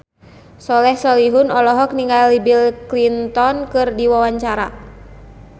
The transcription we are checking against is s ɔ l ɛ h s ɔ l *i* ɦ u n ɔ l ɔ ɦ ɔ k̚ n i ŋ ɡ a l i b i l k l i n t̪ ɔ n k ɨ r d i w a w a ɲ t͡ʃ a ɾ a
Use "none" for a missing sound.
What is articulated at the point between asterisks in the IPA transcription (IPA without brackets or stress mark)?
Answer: i